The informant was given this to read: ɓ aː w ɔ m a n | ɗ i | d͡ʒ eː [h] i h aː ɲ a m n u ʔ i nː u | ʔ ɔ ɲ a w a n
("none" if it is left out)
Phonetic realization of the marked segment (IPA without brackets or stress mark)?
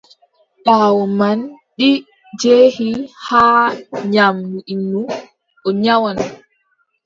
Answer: h